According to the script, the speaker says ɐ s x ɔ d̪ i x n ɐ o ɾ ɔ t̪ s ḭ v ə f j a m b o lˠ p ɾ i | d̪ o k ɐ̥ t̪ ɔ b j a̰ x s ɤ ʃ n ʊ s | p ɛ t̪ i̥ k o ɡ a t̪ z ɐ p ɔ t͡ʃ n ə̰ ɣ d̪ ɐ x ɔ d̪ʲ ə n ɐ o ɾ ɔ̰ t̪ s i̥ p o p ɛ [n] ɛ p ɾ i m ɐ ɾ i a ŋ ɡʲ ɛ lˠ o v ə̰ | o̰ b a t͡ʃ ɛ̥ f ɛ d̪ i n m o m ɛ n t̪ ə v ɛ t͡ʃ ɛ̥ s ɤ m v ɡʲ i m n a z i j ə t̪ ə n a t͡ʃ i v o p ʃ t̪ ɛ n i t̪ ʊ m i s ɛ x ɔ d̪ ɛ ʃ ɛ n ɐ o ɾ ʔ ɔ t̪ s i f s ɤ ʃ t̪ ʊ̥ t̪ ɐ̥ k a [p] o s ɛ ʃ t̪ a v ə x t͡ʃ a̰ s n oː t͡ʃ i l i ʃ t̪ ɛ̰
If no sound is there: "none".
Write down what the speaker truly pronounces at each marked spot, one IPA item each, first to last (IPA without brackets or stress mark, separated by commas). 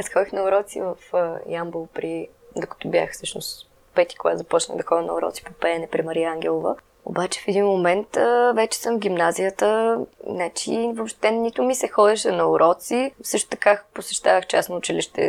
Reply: n, p